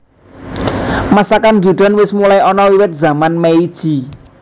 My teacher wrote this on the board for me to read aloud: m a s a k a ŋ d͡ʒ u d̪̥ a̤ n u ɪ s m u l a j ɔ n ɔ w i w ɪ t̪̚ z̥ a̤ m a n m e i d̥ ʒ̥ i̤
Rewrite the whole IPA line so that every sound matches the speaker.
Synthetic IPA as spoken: m a s a k a n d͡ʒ u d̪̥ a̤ n w ɪ s m u l a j ɔ n ɔ w i w ɪ t̪̚ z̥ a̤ m a n m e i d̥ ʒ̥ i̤